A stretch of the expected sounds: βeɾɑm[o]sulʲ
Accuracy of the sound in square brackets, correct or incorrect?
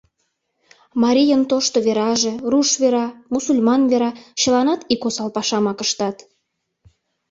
incorrect